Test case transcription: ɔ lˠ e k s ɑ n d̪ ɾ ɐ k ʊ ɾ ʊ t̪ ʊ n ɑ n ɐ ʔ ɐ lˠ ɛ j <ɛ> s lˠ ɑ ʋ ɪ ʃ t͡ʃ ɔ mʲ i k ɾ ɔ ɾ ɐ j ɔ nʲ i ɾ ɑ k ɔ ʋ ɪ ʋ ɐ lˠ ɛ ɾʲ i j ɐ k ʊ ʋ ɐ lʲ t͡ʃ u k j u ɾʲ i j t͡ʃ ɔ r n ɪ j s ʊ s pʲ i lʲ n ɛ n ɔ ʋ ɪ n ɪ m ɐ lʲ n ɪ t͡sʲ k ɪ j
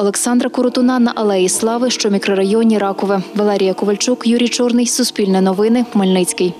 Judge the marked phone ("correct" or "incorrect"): incorrect